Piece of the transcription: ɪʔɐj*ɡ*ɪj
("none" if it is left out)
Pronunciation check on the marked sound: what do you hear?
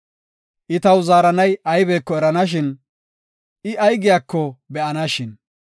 ɡ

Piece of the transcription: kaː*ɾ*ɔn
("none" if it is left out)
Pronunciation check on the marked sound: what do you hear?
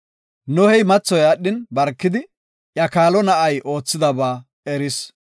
l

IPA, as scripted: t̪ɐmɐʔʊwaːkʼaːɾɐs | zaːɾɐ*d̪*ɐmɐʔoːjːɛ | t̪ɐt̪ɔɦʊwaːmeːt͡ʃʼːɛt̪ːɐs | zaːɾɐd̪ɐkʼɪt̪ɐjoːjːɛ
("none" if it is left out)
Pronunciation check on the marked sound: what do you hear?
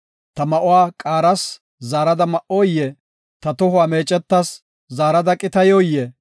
d̪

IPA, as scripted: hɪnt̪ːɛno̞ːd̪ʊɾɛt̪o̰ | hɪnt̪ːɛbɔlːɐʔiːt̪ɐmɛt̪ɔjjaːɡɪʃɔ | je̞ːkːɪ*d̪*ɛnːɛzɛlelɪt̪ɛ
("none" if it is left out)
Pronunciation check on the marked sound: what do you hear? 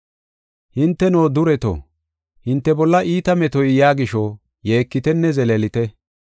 t̪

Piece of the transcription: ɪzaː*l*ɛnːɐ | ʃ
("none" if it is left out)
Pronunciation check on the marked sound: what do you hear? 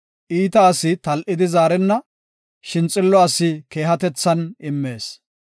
ɾ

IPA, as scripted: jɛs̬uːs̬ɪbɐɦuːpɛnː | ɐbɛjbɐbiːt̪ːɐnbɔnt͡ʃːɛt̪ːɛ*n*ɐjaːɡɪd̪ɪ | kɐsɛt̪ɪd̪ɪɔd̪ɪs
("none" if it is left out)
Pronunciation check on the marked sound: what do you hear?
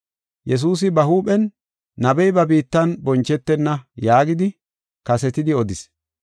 nː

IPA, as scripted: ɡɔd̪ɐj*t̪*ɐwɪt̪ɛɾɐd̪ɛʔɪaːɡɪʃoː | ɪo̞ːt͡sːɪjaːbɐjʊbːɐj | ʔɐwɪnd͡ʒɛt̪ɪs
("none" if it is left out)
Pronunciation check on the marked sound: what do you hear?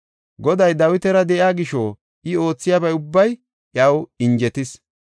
d̪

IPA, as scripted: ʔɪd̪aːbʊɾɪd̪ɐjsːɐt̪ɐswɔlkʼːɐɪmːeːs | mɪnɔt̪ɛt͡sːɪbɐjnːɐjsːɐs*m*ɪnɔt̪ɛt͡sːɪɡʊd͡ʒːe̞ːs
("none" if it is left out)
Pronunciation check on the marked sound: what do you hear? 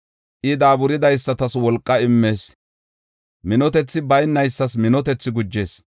m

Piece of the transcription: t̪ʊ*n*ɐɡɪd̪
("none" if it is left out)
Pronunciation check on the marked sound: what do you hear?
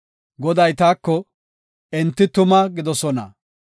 m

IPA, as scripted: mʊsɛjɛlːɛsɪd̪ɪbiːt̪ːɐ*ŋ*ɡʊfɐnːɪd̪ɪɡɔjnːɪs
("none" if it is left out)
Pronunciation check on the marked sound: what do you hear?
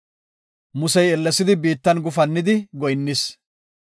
n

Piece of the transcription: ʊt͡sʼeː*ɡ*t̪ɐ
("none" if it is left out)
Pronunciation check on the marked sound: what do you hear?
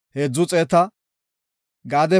none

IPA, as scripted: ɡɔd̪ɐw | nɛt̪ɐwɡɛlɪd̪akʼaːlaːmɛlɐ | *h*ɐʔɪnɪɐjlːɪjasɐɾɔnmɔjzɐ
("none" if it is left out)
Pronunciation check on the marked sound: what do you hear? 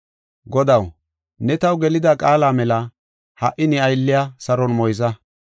h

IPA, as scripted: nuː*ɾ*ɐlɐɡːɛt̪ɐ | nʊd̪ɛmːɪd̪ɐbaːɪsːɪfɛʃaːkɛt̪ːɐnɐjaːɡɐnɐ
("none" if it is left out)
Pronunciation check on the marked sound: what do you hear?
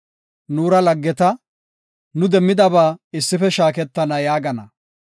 ɾ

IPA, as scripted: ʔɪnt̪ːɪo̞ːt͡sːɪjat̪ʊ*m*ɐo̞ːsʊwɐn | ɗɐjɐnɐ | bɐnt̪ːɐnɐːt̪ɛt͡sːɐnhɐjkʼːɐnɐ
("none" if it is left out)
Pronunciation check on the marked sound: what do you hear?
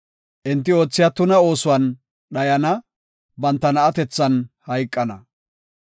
n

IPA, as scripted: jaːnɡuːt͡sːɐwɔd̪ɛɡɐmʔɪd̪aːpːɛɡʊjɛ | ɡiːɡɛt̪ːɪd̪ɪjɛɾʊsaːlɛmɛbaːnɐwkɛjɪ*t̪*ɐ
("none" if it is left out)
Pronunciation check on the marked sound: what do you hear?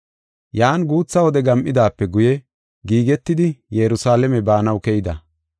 d̪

